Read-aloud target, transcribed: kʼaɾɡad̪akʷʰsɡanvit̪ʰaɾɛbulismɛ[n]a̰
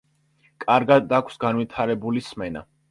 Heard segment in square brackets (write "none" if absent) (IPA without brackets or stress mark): n